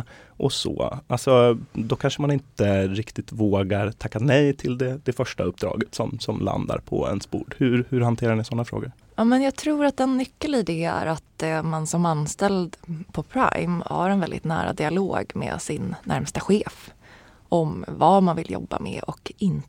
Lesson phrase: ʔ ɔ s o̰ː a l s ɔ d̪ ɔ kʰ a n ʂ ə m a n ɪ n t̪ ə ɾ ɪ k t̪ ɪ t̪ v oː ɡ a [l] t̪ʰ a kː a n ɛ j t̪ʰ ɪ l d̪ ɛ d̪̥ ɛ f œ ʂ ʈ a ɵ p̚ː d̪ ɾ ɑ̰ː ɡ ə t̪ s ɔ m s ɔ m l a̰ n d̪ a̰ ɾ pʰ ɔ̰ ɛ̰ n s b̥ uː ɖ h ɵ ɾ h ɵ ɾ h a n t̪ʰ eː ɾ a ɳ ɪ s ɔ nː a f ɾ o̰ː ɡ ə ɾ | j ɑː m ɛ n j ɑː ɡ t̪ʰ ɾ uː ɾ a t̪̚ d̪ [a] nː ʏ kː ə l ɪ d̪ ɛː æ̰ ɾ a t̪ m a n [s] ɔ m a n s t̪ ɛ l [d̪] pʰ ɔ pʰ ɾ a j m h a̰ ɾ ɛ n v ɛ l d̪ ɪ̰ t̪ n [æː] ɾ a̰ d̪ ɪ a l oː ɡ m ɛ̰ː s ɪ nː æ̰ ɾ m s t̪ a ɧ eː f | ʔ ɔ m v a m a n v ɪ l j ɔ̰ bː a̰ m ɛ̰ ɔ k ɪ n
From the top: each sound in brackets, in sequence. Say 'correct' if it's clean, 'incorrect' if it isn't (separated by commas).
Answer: incorrect, incorrect, correct, correct, correct